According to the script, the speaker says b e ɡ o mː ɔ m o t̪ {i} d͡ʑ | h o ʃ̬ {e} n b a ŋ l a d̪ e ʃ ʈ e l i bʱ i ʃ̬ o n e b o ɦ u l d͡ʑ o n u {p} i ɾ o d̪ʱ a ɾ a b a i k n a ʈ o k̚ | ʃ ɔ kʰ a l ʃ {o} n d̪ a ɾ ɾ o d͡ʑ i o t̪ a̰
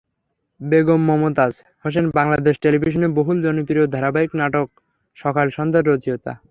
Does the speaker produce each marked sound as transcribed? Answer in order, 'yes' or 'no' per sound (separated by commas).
no, yes, yes, no